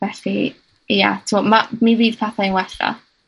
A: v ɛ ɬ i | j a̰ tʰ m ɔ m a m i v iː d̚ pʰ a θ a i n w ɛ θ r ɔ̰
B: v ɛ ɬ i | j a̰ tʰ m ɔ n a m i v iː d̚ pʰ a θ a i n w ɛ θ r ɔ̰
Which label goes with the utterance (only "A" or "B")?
A